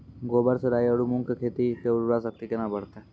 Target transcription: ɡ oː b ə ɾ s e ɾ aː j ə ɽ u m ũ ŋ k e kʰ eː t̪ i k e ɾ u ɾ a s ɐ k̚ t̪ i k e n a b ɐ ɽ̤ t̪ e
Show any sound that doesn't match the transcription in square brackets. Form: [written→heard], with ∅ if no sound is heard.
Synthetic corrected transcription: ɡ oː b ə ɾ s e ɾ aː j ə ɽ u m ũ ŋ k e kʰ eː t̪ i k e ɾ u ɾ a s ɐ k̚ t̪ i k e n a b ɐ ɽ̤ t̪ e